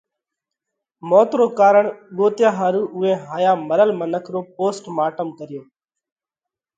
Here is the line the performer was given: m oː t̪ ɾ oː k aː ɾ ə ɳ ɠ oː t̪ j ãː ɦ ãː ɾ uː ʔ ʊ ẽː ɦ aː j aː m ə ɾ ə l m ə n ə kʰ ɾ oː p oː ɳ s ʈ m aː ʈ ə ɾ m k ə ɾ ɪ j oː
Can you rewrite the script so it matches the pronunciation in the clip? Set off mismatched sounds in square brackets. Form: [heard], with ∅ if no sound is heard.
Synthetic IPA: m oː t̪ ɾ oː k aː ɾ ə ɳ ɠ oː t̪ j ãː ɦ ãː ɾ uː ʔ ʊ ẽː ɦ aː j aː m ə ɾ ə l m ə n ə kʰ ɾ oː p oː [∅] s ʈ m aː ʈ ə [∅] m k ə ɾ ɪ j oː